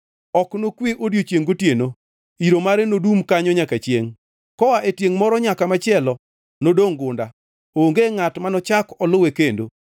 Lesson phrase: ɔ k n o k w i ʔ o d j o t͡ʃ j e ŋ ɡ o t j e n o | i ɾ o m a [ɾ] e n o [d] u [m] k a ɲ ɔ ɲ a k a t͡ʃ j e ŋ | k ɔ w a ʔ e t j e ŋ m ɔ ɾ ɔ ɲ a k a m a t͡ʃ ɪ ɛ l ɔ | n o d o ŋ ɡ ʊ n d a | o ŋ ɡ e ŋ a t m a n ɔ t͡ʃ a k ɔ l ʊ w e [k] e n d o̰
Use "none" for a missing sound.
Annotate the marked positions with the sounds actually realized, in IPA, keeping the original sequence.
ɾ, d, m, k

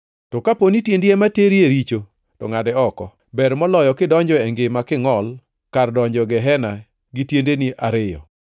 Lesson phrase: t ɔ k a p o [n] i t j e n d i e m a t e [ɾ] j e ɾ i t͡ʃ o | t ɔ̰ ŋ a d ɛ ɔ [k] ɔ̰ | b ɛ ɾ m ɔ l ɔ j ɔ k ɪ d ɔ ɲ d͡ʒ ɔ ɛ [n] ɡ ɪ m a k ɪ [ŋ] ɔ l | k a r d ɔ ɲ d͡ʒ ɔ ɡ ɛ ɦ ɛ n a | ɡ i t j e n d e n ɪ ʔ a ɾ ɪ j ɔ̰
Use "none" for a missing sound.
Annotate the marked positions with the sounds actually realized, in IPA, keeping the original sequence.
n, ɾ, k, ŋ, ŋ

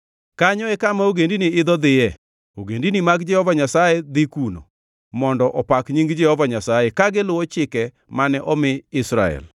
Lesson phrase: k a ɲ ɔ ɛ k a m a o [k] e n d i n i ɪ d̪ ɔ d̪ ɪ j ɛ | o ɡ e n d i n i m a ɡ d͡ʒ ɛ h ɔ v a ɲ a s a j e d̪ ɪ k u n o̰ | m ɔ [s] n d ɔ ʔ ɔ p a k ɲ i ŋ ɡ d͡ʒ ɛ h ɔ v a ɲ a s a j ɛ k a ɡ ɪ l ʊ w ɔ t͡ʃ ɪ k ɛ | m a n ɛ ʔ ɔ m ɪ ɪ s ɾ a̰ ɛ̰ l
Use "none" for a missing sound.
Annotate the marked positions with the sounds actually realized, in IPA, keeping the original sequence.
ɡ, none

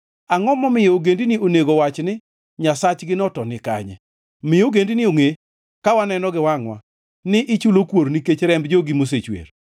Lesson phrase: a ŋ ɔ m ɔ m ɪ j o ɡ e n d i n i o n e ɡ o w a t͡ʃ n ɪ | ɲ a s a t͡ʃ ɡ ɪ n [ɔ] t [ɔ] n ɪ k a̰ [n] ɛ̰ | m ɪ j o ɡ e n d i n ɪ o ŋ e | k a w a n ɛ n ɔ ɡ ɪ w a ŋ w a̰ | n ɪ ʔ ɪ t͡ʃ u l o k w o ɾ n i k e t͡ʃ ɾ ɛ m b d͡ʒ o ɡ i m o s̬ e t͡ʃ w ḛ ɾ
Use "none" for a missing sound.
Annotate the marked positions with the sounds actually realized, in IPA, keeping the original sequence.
ɔ, ɔ, ɲ

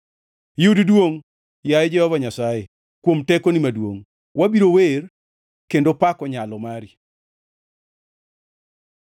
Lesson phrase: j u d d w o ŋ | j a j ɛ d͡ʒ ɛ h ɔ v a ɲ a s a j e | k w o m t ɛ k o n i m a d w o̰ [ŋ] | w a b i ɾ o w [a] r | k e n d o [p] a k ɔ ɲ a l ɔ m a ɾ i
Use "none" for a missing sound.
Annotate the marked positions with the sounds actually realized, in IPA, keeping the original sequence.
ŋ, e, p

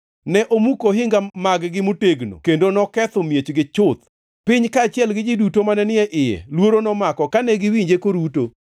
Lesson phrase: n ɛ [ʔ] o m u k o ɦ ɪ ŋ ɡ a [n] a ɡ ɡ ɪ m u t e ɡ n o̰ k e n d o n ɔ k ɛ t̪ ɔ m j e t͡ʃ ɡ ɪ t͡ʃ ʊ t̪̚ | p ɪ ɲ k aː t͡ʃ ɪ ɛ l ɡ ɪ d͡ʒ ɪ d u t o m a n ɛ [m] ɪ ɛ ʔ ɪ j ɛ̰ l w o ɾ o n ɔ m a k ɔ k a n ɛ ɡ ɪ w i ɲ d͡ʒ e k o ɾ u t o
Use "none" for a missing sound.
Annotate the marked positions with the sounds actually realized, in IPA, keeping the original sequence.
ʔ, m, n

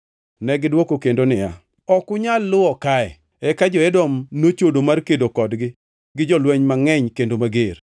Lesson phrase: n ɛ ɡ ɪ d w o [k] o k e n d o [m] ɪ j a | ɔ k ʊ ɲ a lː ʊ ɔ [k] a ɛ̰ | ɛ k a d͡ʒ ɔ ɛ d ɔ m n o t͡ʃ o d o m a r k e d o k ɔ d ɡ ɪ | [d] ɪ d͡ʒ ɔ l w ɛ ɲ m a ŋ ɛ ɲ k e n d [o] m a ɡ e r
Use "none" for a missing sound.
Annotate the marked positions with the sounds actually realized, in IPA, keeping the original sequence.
k, n, k, ɡ, o

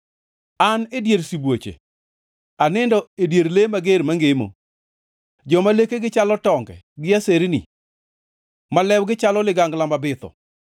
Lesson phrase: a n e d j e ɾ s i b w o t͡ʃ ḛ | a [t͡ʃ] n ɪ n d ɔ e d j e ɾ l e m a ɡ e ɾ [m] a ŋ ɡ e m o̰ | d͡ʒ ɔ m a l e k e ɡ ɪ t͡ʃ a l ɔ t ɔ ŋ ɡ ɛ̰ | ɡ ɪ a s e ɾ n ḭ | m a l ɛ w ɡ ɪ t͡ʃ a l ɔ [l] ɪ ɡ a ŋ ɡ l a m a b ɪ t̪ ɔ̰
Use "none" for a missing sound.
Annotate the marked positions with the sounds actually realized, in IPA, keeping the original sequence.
none, m, l

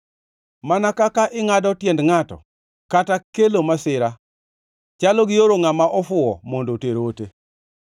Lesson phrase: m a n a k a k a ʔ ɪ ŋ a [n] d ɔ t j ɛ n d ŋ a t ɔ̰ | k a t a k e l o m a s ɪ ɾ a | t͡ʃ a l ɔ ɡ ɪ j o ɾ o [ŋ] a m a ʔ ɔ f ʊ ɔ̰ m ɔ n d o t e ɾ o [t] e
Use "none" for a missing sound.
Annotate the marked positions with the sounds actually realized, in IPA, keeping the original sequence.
none, ŋ, t

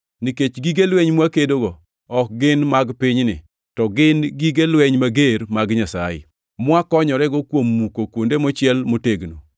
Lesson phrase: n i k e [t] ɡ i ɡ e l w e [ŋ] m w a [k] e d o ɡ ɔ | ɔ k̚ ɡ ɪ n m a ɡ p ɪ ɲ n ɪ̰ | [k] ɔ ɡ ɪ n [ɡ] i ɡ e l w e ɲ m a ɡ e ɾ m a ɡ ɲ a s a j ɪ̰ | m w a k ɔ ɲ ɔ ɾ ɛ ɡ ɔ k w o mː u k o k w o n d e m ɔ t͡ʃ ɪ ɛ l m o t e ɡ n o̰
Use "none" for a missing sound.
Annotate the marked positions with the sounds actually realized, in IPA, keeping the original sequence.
t͡ʃ, ɲ, k, t, ɡ

